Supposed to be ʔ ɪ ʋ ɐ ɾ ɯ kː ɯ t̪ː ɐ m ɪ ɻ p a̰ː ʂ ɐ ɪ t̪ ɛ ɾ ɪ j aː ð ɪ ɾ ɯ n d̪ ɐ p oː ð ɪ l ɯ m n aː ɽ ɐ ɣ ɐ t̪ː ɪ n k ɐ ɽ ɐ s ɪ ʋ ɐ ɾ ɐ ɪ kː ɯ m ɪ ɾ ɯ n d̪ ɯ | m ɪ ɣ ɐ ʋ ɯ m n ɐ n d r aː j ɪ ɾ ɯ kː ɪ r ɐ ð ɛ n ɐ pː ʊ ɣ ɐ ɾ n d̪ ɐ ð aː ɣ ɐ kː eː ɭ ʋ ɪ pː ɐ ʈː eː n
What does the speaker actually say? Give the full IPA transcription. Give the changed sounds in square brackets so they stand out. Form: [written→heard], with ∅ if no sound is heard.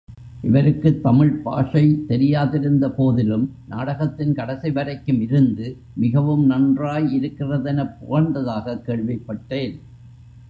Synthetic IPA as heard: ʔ ɪ ʋ ɐ ɾ ɯ kː ɯ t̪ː ɐ m ɪ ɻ p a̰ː ʂ ɐ ɪ t̪ ɛ ɾ ɪ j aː ð ɪ ɾ ɯ n d̪ ɐ p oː ð ɪ l ɯ m n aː ɽ ɐ ɣ ɐ t̪ː ɪ n k ɐ ɽ ɐ s ɪ ʋ ɐ ɾ ɐ ɪ kː ɯ m ɪ ɾ ɯ n d̪ ɯ | m ɪ ɣ ɐ ʋ ɯ m n ɐ n d r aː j ɪ ɾ ɯ kː ɪ r ɐ ð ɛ n ɐ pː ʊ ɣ ɐ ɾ n d̪ ɐ ð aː ɣ ɐ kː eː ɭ ʋ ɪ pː ɐ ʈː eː n

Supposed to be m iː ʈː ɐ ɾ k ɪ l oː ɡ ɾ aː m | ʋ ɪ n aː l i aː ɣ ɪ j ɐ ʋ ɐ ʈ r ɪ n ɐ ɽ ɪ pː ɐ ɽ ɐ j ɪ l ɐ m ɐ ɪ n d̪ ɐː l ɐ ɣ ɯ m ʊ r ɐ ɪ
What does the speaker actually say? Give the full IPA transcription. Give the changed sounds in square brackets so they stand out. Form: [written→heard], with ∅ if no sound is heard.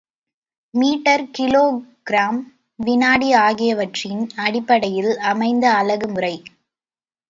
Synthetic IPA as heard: m iː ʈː ɐ ɾ k ɪ l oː ɡ ɾ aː m | ʋ ɪ n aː [l→ɽ] i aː ɣ ɪ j ɐ ʋ ɐ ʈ r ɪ n ɐ ɽ ɪ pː ɐ ɽ ɐ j ɪ l ɐ m ɐ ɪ n d̪ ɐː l ɐ ɣ ɯ m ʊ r ɐ ɪ

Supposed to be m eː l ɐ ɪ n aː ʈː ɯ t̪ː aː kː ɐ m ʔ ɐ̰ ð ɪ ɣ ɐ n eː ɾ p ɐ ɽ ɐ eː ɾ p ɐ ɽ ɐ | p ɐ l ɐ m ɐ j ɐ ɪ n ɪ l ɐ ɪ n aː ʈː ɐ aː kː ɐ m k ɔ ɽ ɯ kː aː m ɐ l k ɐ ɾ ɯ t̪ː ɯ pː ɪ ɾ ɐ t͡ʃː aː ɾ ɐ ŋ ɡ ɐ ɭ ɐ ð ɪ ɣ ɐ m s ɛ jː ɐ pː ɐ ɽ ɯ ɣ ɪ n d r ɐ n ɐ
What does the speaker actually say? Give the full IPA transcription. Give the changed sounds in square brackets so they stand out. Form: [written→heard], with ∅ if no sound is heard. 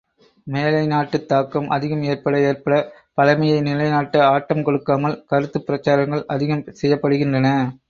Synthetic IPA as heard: m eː l ɐ ɪ n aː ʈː ɯ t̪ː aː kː ɐ m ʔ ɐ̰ ð ɪ ɣ ɐ [n→m] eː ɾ p ɐ ɽ ɐ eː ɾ p ɐ ɽ ɐ | p ɐ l ɐ m ɐ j ɐ ɪ n ɪ l ɐ ɪ n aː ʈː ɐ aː [kː→ʈː] ɐ m k ɔ ɽ ɯ kː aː m ɐ l k ɐ ɾ ɯ t̪ː ɯ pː ɪ ɾ ɐ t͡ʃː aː ɾ ɐ ŋ ɡ ɐ ɭ ɐ ð ɪ ɣ ɐ m s ɛ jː ɐ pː ɐ ɽ ɯ ɣ ɪ n d r ɐ n ɐ

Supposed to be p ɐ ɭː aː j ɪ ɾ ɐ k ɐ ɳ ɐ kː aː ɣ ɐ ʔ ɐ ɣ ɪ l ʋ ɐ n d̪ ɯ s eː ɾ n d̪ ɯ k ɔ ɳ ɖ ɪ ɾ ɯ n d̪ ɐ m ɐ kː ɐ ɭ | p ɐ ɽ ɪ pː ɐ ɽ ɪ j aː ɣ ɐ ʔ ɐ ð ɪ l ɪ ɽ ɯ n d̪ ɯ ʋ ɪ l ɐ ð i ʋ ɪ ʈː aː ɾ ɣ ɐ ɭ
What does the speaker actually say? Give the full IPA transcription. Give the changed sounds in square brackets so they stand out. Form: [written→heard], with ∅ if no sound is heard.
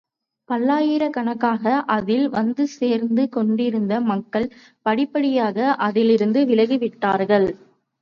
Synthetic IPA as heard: p ɐ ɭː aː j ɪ ɾ ɐ k ɐ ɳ ɐ kː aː ɣ ɐ ʔ ɐ [ɣ→ð] ɪ l ʋ ɐ n d̪ ɯ s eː ɾ n d̪ ɯ k ɔ ɳ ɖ ɪ ɾ ɯ n d̪ ɐ m ɐ kː ɐ ɭ | p ɐ ɽ ɪ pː ɐ ɽ ɪ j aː ɣ ɐ ʔ ɐ ð ɪ l ɪ [ɽ→ɾ] ɯ n d̪ ɯ ʋ ɪ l ɐ [ð→ɣ] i ʋ ɪ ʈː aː ɾ ɣ ɐ ɭ

